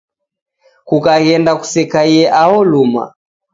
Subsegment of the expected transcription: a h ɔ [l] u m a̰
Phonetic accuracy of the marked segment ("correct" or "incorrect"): correct